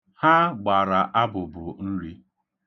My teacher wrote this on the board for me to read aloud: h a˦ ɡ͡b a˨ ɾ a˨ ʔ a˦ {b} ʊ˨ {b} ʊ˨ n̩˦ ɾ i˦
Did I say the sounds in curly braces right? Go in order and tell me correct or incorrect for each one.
correct, correct

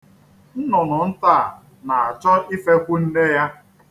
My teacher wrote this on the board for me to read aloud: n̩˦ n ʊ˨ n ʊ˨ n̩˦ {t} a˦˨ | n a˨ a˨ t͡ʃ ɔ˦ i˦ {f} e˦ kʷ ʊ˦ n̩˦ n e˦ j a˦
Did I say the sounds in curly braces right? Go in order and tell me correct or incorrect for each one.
correct, correct

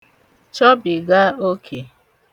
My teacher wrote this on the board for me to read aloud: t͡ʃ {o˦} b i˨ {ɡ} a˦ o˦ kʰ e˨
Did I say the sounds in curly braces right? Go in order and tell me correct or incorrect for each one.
incorrect, correct

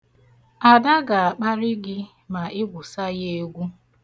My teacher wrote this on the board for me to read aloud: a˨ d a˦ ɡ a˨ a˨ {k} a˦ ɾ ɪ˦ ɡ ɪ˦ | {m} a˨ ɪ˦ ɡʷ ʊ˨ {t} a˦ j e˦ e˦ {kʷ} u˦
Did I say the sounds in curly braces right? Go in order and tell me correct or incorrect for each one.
incorrect, correct, incorrect, incorrect

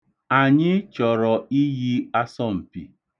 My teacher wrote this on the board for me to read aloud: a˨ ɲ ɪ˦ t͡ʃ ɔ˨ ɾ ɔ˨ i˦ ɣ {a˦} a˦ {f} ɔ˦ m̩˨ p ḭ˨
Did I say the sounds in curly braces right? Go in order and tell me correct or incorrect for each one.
incorrect, incorrect

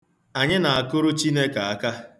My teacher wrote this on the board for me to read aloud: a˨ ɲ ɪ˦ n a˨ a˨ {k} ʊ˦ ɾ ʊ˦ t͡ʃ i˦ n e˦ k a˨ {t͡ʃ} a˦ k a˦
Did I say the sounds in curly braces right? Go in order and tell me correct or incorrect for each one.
correct, incorrect

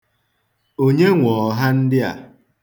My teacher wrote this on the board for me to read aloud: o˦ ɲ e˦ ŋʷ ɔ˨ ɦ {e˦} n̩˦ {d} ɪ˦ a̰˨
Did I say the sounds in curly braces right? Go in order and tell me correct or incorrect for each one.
incorrect, correct

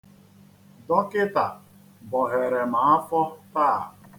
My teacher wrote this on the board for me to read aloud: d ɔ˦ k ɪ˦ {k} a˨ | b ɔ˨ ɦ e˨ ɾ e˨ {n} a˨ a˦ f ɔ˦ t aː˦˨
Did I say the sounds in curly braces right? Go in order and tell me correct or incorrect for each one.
incorrect, incorrect

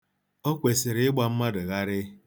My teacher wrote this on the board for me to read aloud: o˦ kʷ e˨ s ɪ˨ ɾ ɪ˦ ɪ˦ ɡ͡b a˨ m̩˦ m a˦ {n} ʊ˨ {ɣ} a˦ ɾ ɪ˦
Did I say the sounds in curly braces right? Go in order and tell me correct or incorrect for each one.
incorrect, correct

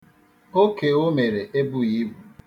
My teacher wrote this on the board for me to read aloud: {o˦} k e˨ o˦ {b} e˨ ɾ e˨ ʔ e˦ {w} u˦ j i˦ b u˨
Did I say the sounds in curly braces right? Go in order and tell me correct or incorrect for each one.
correct, incorrect, incorrect

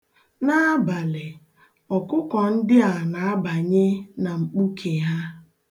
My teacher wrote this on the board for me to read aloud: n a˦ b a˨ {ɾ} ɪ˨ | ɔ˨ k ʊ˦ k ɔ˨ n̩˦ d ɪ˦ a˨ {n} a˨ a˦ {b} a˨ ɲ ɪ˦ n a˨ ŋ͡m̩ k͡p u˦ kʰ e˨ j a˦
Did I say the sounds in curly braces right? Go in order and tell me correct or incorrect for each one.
incorrect, correct, correct

